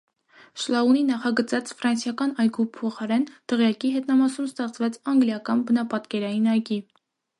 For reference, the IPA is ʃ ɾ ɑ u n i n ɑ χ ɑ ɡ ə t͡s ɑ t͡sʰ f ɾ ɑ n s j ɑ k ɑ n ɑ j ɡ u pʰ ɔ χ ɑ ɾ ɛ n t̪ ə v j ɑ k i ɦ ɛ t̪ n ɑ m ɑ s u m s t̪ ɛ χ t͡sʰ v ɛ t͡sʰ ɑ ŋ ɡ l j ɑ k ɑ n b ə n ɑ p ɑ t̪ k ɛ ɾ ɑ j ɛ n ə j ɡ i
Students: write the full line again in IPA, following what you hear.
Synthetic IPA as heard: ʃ l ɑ u n i n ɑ χ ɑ ɡ ə t͡s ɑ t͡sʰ f ɾ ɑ n s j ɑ k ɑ n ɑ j ɡ u pʰ ɔ χ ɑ ɾ ɛ n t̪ ə ʁ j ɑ k i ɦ ɛ t̪ n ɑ m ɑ s u m s t̪ ɛ χ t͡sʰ v ɛ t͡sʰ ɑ ŋ ɡ l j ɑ k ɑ n b ə n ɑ p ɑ t̪ k ɛ ɾ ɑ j i n ɑ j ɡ i